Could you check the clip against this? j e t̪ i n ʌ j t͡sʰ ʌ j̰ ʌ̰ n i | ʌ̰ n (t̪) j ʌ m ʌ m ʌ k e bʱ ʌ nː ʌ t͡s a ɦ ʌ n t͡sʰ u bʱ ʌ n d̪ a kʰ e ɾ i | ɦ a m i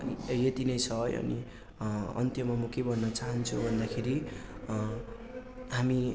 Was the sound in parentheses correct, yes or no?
yes